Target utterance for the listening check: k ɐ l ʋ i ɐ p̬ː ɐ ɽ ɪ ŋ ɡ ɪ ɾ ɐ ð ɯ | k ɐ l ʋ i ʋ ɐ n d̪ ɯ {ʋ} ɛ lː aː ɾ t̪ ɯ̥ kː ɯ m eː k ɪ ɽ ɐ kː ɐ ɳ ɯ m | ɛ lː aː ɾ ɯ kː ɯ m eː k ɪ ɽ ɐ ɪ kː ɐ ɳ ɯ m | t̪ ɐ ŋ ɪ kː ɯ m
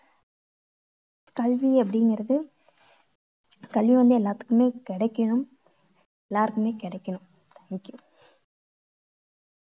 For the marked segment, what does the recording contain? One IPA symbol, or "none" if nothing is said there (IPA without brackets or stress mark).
none